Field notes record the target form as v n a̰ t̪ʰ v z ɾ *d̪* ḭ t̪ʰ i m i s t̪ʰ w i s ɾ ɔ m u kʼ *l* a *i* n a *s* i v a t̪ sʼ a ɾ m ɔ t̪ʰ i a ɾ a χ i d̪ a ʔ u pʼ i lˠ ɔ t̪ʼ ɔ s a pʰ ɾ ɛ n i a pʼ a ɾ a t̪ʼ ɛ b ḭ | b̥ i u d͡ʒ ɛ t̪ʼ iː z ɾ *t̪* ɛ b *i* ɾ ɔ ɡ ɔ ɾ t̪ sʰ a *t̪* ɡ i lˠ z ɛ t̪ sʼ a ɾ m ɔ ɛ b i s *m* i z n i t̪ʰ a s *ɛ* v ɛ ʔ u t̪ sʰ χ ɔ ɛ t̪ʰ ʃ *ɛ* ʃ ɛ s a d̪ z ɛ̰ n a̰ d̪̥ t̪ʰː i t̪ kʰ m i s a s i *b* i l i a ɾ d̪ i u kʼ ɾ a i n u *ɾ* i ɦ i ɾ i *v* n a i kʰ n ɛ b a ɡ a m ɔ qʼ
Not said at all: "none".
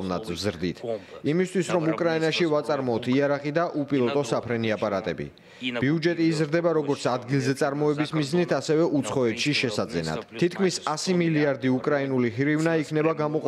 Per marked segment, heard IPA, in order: d̪, ɾ, i, ʃ, d̪, a, d̪, m, ɛ, i, m, l, v

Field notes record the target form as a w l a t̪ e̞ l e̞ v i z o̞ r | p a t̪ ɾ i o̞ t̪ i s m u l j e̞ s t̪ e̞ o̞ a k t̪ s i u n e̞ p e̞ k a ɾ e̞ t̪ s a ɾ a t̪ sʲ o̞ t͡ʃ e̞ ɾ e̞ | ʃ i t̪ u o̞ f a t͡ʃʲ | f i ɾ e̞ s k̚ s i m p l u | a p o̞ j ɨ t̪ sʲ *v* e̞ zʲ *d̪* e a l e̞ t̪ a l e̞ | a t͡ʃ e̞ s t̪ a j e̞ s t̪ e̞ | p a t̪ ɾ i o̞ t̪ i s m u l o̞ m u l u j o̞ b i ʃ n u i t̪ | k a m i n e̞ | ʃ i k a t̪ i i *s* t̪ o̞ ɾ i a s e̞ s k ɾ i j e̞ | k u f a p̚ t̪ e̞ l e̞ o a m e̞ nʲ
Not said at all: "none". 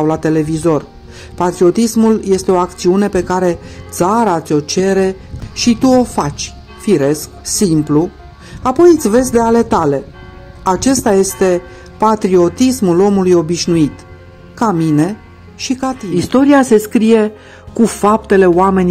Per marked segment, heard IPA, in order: v, d̪, s

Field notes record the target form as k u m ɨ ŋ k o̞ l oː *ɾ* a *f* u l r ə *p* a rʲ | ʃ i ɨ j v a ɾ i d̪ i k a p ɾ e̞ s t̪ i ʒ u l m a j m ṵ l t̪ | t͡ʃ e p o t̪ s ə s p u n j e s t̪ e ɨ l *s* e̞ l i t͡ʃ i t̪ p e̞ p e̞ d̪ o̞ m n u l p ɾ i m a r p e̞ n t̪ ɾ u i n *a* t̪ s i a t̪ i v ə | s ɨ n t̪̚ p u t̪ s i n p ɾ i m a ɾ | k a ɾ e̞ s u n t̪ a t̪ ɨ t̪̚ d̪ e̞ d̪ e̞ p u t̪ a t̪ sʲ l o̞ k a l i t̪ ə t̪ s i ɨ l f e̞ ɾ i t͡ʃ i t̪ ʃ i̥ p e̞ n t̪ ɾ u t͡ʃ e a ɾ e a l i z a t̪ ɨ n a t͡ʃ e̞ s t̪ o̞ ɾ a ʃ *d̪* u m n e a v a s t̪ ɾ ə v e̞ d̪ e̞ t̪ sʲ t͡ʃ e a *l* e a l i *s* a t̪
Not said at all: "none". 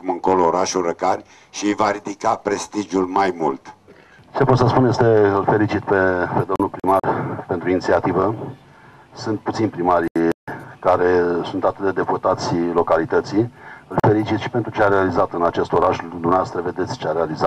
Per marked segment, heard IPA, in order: ɾ, ʃ, k, f, i, d̪, ɾ, z

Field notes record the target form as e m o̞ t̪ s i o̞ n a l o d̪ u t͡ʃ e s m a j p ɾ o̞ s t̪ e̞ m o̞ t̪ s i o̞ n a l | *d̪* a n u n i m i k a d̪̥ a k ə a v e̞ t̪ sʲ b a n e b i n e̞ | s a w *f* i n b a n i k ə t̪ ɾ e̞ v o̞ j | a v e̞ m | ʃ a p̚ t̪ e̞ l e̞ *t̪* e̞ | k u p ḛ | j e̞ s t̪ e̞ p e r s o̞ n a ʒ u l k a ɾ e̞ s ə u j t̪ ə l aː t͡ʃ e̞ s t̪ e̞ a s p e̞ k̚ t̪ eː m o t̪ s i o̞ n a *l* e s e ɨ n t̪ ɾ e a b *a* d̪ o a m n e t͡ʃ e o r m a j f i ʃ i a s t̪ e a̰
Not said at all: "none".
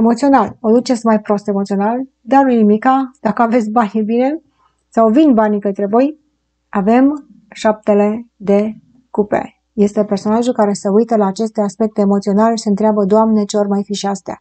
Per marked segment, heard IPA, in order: d̪, v, d̪, l, ə

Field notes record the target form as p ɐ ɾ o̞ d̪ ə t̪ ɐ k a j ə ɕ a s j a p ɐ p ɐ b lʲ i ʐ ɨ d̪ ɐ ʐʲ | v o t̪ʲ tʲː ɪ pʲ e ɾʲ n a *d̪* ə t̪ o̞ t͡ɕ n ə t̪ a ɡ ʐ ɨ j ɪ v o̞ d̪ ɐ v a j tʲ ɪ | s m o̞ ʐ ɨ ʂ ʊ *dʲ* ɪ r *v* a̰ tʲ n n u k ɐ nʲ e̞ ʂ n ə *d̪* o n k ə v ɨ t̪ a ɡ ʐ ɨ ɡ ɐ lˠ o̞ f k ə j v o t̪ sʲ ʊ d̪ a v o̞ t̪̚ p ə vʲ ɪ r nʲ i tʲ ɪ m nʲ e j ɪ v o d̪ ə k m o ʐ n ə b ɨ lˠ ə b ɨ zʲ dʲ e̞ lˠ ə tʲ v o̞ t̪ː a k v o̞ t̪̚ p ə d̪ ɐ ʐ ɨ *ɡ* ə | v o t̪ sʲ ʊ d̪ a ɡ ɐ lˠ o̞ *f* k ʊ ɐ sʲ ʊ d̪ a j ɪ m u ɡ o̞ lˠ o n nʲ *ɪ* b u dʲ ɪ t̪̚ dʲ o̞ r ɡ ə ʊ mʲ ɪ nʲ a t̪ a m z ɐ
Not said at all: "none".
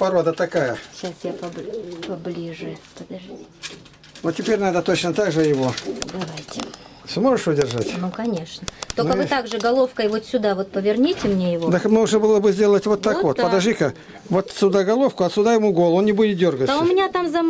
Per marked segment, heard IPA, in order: d̪, dʲ, ʐ, t̪, k, f, ɪ

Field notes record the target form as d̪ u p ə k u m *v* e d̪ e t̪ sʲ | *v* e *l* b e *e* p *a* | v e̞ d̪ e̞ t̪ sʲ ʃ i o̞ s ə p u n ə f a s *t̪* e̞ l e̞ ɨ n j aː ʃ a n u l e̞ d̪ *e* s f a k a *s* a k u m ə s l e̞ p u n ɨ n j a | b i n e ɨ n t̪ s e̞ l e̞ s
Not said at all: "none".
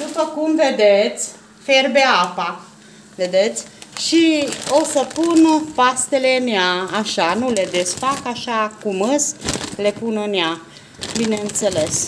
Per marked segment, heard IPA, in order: v, f, r, a, a, t̪, e, ʃ

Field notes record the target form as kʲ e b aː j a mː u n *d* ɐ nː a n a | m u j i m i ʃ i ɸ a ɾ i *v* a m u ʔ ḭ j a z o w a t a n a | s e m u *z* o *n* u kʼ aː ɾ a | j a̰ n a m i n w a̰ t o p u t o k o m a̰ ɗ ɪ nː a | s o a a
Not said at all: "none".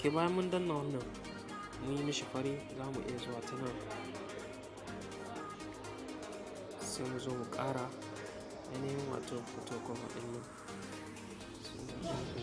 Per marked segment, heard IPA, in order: d, z, z, m

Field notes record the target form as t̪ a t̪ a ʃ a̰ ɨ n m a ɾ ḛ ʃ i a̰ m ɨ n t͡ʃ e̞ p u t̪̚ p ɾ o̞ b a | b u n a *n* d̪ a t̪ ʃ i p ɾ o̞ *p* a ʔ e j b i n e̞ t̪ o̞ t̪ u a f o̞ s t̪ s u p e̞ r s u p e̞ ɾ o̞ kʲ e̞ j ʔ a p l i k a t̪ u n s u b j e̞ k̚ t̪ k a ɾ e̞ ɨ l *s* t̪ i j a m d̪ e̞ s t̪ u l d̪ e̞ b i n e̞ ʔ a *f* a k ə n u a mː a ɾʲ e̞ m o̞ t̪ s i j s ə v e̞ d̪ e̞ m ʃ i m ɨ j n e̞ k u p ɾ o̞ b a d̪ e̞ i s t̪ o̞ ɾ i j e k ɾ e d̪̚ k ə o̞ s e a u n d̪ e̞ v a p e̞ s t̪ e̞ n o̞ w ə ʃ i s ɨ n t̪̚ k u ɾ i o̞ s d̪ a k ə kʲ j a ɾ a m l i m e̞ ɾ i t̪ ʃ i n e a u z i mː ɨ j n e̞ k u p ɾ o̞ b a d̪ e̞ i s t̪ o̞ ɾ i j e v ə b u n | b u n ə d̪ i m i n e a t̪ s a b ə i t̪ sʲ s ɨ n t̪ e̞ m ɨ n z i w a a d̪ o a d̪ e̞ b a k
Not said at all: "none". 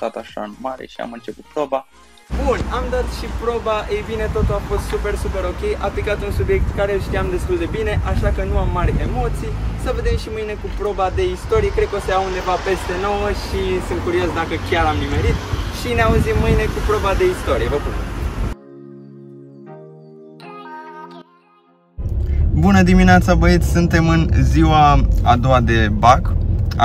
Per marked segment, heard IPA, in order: m, b, ʃ, ʃ

